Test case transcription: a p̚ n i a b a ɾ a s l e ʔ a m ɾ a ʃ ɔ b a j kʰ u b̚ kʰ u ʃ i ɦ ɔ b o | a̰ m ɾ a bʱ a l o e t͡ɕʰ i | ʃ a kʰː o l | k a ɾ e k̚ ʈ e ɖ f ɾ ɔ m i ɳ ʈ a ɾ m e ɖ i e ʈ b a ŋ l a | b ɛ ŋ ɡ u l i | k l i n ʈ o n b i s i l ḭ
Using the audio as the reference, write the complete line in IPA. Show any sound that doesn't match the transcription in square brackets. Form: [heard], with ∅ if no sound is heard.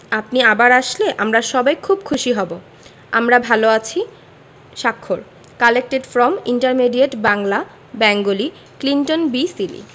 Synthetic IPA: a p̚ n i a b a ɾ a [ʃ] l e ʔ a m ɾ a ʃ ɔ b a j kʰ u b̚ kʰ u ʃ i ɦ ɔ b o | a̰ m ɾ a bʱ a l o [a] t͡ɕʰ i | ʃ a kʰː o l | k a [l] e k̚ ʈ e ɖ f ɾ ɔ m i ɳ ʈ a ɾ m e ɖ i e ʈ b a ŋ l a | b ɛ ŋ ɡ [o] l i | k l i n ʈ o n b i s i l ḭ